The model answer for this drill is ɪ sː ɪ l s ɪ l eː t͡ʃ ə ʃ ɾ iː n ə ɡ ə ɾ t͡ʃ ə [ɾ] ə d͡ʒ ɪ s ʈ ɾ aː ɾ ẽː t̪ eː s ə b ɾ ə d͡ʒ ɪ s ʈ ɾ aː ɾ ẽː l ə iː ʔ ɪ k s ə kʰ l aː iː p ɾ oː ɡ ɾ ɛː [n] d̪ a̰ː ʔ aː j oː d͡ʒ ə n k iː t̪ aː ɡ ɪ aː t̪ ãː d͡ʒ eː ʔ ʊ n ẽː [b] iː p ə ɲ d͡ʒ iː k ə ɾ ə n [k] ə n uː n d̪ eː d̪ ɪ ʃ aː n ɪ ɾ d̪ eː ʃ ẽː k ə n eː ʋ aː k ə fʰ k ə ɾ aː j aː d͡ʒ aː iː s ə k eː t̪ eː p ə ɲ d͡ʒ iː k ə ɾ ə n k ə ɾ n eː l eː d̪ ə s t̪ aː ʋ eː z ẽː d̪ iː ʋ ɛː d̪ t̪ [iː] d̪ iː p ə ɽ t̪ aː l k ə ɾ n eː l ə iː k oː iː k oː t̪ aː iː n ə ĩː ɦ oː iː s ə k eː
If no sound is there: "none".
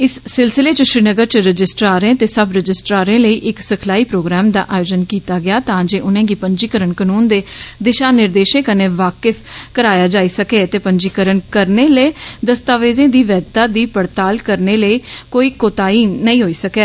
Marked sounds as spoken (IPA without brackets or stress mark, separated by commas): ɾ, m, ɡ, k, aː